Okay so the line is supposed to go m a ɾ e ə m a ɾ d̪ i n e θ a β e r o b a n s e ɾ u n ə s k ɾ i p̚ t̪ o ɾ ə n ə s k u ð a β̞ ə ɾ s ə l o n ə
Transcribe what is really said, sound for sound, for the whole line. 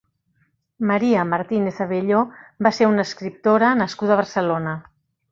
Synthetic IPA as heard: m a ɾ i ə m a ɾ t̪ i n e θ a β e ʎ o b a s e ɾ u n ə s k ɾ i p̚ t̪ o ɾ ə n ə s k u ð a β̞ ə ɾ s ə l o n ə